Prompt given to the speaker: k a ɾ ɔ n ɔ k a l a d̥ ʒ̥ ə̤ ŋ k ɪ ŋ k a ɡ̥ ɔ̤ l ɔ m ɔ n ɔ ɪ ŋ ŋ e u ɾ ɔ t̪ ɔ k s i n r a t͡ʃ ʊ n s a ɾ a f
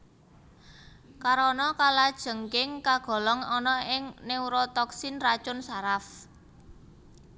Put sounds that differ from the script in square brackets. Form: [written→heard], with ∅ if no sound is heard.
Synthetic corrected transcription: k a ɾ ɔ n ɔ k a l a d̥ ʒ̥ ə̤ ŋ k ɪ ŋ k a ɡ̥ ɔ̤ l ɔ [m→ŋ] ɔ n ɔ ɪ ŋ [ŋ→n] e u ɾ ɔ t̪ ɔ k s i n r a t͡ʃ ʊ n s a ɾ a f